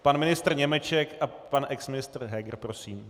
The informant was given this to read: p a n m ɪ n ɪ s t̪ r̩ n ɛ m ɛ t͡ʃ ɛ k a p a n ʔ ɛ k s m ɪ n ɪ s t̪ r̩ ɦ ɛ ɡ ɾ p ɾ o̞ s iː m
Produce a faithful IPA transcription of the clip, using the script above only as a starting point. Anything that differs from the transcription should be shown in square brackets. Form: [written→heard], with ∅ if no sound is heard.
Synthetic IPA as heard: p a n m ɪ n ɪ s t̪ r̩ [n→ɲ] ɛ m ɛ t͡ʃ ɛ k a p a n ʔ ɛ k s m ɪ n ɪ s t̪ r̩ ɦ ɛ ɡ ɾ p ɾ o̞ s iː m